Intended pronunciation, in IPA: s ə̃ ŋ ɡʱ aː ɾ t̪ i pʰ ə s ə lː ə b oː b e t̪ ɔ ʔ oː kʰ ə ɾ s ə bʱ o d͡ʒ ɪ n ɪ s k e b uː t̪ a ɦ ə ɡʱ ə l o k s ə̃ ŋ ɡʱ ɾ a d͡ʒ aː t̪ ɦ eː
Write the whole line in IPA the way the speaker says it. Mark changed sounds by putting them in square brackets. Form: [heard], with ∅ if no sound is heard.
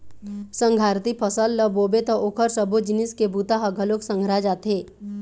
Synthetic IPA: s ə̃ ŋ ɡʱ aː ɾ t̪ i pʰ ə s ə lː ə b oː b e t̪ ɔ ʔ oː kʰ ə ɾ s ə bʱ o d͡ʒ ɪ n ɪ s k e b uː t̪ a ɦ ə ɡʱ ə l o k s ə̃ ŋ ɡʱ ɾ a d͡ʒ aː t̪ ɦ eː